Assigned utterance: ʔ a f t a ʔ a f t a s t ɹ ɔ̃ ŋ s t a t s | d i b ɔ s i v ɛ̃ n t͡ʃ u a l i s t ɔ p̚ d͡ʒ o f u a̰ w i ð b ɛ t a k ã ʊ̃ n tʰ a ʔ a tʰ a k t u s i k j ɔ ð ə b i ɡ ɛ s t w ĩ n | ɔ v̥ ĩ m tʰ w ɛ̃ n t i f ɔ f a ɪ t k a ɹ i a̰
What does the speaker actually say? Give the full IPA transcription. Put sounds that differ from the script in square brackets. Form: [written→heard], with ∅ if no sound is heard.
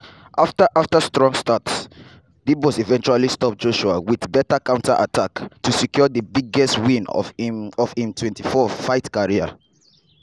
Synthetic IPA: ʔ a f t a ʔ a f t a s t ɹ ɔ̃ ŋ s t a t s | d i b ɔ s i v ɛ̃ n t͡ʃ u a l i s t ɔ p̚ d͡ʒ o [f→ʃ] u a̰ w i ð b ɛ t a k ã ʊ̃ n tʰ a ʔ a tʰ a k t u s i k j ɔ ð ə b i ɡ ɛ s t w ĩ n | ɔ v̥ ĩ m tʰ w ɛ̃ n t i f ɔ f a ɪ t k a ɹ i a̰

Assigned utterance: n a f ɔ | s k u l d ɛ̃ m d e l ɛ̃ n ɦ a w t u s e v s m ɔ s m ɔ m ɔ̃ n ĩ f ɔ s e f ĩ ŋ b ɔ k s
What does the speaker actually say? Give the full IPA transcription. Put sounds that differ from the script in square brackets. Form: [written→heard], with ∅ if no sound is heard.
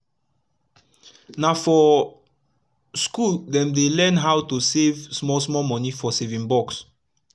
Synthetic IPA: n a f ɔ | s k u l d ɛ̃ m d e l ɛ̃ n ɦ a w t u s e v s m ɔ s m ɔ m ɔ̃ n [ĩ→i] f ɔ s e [f→v] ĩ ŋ b ɔ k s

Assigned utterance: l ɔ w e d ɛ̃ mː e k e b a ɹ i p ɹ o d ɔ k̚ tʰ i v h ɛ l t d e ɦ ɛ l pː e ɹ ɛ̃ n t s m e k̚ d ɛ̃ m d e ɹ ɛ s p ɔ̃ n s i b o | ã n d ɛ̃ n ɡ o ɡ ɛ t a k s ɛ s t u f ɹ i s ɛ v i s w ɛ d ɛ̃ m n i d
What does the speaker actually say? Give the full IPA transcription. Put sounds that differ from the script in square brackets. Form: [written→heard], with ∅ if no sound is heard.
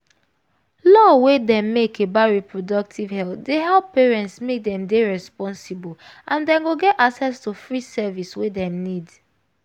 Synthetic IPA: l ɔ w e d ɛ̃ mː e k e b a ɹ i p ɹ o d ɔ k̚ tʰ i v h ɛ l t d e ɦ ɛ l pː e ɹ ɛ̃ n t s m e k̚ d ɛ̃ m d e ɹ ɛ s p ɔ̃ n s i b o | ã n d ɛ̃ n ɡ o ɡ ɛ t a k s ɛ s t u f ɹ i s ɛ v i s w [ɛ→e] d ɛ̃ m n i d

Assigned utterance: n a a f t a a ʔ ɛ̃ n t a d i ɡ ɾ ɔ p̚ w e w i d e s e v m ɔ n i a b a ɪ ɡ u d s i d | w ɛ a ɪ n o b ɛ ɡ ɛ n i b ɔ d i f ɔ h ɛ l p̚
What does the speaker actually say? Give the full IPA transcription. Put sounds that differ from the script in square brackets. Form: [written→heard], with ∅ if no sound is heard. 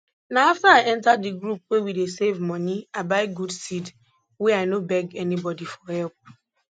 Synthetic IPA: n a a f t a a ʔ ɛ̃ n t a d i ɡ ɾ [ɔ→u] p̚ w e w i d e s e v m ɔ n i a b a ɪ ɡ u d s i d | w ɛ a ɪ n o b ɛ ɡ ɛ n i b ɔ d i f ɔ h ɛ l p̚

